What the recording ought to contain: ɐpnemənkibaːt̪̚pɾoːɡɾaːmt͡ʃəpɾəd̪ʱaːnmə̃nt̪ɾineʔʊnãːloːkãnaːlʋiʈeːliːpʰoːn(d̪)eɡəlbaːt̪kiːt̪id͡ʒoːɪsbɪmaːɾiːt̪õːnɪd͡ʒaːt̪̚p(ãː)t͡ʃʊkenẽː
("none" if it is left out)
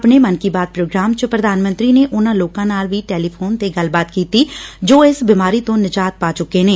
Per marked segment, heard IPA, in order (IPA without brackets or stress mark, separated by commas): t̪, aː